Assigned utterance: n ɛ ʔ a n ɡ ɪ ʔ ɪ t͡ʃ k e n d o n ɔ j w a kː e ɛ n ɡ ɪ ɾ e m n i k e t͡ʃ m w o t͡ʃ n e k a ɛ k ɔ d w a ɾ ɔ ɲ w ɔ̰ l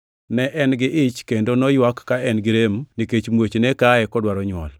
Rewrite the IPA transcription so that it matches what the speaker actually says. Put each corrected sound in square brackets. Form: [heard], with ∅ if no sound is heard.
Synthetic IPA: n ɛ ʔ [ɛ] n ɡ ɪ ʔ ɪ t͡ʃ k e n d o n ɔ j w a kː [a] ɛ n ɡ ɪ ɾ e m n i k e t͡ʃ m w o t͡ʃ n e k a ɛ k ɔ d w a ɾ ɔ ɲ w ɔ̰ l